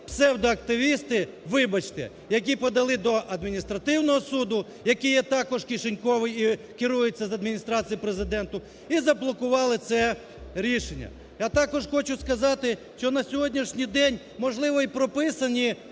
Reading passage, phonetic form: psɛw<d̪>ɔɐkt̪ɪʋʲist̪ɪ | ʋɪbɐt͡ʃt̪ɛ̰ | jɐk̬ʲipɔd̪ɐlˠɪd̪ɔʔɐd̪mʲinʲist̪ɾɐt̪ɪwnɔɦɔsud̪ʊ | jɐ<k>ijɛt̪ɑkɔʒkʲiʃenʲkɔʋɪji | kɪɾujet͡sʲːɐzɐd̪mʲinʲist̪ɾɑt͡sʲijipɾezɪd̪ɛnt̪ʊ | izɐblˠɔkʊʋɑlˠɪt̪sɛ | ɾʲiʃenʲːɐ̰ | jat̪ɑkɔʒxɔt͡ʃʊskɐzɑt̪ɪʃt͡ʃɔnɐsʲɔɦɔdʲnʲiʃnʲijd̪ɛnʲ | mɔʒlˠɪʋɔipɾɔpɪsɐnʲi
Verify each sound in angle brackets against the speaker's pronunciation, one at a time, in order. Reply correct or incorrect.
correct, correct

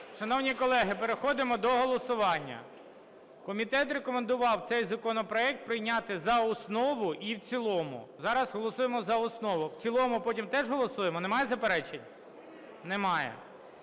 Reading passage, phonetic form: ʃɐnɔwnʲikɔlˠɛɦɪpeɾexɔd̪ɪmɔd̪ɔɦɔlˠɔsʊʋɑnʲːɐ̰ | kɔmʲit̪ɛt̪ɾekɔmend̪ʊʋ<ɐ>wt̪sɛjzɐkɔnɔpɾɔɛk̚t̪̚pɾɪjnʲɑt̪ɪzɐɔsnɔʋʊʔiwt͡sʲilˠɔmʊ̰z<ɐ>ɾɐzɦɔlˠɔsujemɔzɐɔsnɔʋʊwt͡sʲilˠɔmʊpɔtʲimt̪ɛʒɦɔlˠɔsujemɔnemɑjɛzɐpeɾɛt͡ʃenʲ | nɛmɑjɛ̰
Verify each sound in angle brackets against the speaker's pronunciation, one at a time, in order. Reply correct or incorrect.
incorrect, incorrect

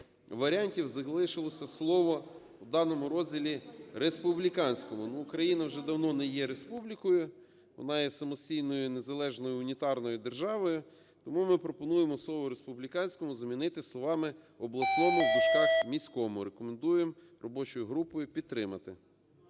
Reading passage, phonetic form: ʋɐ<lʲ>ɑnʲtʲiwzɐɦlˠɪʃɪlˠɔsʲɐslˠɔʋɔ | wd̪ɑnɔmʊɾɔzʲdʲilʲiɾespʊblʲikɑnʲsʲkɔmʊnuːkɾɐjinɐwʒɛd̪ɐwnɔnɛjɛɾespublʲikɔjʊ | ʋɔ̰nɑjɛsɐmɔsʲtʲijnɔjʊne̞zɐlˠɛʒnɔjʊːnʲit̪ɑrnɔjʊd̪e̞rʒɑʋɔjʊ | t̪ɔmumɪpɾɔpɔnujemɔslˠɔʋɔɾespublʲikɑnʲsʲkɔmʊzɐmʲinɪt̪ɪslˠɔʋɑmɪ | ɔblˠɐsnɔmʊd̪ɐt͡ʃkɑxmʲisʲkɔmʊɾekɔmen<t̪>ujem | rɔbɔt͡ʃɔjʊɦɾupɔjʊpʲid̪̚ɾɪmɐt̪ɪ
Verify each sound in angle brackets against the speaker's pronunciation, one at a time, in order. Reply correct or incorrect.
incorrect, incorrect

